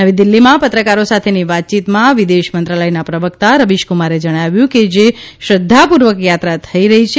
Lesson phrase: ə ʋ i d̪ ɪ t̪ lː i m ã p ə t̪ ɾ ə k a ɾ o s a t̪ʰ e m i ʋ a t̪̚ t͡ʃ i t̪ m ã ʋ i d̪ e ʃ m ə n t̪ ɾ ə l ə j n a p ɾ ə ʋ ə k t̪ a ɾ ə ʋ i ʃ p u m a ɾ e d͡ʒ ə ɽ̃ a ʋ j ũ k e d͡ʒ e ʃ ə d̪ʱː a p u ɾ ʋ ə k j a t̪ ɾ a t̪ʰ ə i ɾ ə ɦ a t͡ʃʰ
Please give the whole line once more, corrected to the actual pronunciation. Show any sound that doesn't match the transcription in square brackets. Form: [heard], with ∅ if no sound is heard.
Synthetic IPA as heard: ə ʋ i d̪ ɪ [∅] lː i m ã p ə t̪ ɾ ə k a ɾ o s a t̪ʰ e [n] i ʋ a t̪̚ t͡ʃ i t̪ m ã ʋ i d̪ e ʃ m ə n t̪ ɾ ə l ə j n a p ɾ ə ʋ ə k t̪ a ɾ ə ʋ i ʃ [k] u m a ɾ e d͡ʒ ə ɽ̃ a ʋ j ũ k e d͡ʒ e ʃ ə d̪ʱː a p u ɾ ʋ ə k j a t̪ ɾ a t̪ʰ ə i ɾ ə ɦ [i] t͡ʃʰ